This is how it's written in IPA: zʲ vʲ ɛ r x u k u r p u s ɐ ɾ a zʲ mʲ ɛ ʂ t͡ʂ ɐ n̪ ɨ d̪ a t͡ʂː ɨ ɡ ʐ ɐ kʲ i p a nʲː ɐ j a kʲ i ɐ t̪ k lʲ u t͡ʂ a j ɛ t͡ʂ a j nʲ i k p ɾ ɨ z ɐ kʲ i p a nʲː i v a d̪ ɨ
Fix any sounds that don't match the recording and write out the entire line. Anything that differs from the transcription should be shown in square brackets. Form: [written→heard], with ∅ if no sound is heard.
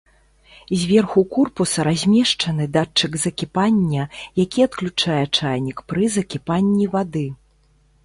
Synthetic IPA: zʲ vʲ ɛ r x u k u r p u s ɐ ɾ a zʲ mʲ ɛ ʂ t͡ʂ ɐ n̪ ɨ d̪ a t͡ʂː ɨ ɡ [ʐ→z] ɐ kʲ i p a nʲː ɐ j a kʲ i ɐ t̪ k lʲ u t͡ʂ a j ɛ t͡ʂ a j nʲ i k p ɾ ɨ z ɐ kʲ i p a nʲː i v a d̪ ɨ

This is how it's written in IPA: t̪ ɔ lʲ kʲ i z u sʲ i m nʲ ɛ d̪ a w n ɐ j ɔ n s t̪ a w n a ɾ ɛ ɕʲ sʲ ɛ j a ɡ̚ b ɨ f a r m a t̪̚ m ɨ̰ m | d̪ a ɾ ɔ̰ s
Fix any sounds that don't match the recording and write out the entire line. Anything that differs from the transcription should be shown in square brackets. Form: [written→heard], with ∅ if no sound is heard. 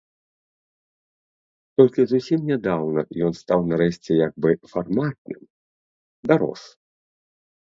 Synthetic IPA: t̪ ɔ lʲ kʲ i z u sʲ i m nʲ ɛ d̪ a w n ɐ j ɔ n s t̪ a w n a ɾ ɛ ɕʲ [sʲ→t͡sʲ] ɛ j a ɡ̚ b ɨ f a r m a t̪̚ [m→n] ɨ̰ m | d̪ a ɾ ɔ̰ s

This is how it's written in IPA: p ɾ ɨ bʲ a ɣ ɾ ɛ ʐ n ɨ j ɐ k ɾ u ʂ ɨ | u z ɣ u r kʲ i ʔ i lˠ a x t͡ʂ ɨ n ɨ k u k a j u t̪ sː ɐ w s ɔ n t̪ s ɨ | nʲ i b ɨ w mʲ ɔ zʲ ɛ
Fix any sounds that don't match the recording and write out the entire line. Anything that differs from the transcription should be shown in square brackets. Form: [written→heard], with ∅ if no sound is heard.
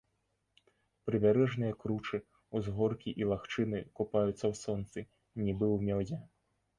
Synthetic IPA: p ɾ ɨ bʲ a [ɣ→∅] ɾ ɛ ʐ n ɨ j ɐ k ɾ u [ʂ→t͡ʂ] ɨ | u z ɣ [u→ɔ] r kʲ i ʔ i lˠ a x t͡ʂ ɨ n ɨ k u [k→p] a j u t̪ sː ɐ w s ɔ n t̪ s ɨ | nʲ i b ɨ w mʲ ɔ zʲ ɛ

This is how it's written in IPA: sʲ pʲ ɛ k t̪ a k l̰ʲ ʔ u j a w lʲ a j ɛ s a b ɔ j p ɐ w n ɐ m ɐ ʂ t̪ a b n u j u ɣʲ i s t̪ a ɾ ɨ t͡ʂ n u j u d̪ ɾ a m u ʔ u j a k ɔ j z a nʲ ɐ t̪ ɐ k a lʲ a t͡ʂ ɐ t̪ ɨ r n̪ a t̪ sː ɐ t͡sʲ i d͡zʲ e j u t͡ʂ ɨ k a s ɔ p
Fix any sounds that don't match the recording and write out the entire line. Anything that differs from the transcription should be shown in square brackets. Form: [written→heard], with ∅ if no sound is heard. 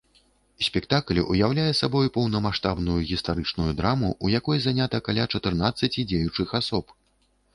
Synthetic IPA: sʲ pʲ ɛ k t̪ a k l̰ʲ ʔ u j a w lʲ a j ɛ s a b ɔ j p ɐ w n ɐ m [ɐ→a] ʂ t̪ a b n u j u ɣʲ i s t̪ a ɾ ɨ t͡ʂ n u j u d̪ ɾ a m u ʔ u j a k ɔ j z a nʲ [ɐ→a] t̪ ɐ k a lʲ a t͡ʂ ɐ t̪ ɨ r n̪ a t̪ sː ɐ t͡sʲ i d͡zʲ e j u t͡ʂ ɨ [k→x] a s ɔ p

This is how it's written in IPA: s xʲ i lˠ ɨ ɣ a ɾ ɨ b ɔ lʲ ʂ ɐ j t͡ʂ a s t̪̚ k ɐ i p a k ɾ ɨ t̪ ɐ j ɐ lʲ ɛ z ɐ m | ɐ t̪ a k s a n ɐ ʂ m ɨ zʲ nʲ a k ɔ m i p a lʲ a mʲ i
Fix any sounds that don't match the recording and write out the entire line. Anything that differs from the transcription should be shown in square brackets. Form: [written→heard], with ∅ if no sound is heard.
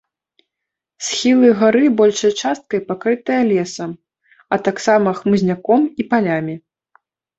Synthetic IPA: s xʲ i lˠ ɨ ɣ a ɾ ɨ b ɔ lʲ ʂ ɐ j t͡ʂ a s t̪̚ k ɐ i p a k ɾ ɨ t̪ ɐ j ɐ lʲ ɛ [z→s] ɐ m | ɐ t̪ a k s a [n→m] ɐ [ʂ→x] m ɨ zʲ nʲ a k ɔ m i p a lʲ a mʲ i

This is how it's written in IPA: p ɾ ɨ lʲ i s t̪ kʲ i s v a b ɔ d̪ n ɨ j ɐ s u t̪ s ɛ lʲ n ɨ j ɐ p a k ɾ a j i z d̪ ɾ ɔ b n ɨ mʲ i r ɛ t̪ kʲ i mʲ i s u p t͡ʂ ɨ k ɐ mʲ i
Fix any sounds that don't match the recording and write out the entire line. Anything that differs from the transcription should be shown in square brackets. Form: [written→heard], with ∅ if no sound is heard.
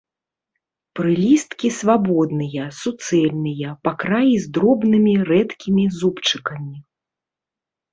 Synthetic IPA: p ɾ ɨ lʲ i s t̪ kʲ i s v a b ɔ d̪ n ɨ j ɐ s u t̪ s ɛ lʲ n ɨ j ɐ p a k ɾ a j i z d̪ ɾ ɔ b n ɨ mʲ i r ɛ t̪ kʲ i mʲ i [s→z] u p t͡ʂ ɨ k ɐ mʲ i

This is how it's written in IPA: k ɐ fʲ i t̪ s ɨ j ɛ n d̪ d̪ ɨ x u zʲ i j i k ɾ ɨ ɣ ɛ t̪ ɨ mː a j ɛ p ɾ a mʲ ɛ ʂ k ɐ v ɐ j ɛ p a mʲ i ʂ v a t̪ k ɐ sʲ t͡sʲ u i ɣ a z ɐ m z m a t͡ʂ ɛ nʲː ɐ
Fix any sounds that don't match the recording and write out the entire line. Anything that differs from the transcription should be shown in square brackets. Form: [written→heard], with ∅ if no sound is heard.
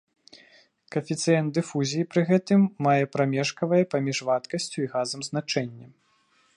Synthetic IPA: k ɐ fʲ i t̪ s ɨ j ɛ n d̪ d̪ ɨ [x→f] u zʲ i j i [k→p] ɾ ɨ ɣ ɛ t̪ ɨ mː a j ɛ p ɾ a mʲ ɛ ʂ k ɐ v ɐ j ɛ p a mʲ i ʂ v a t̪ k ɐ sʲ t͡sʲ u i ɣ a z ɐ m z [m→n] a t͡ʂ ɛ nʲː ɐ

